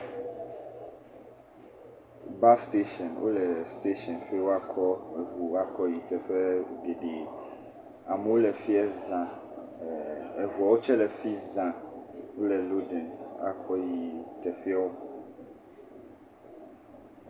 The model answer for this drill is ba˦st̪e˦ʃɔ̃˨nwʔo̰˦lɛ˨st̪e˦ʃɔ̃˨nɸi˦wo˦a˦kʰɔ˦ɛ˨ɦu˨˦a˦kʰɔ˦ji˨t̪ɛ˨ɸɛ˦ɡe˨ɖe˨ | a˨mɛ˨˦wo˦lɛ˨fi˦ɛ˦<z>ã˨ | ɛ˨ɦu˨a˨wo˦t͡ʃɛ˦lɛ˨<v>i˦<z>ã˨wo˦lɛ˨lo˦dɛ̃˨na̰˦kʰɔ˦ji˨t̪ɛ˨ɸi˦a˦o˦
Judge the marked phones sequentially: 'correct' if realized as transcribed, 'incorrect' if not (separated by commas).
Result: correct, incorrect, correct